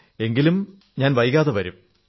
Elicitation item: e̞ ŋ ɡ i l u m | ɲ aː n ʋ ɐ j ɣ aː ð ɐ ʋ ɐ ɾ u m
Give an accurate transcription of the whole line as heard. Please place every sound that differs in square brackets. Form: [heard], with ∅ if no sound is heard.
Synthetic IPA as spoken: e̞ ŋ ɡ i l u m | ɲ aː n ʋ ɐ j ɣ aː ð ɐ ʋ ɐ ɾ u m